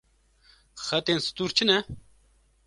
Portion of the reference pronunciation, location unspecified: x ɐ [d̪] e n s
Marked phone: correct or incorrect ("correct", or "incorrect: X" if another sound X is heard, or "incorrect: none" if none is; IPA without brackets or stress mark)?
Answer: incorrect: t̪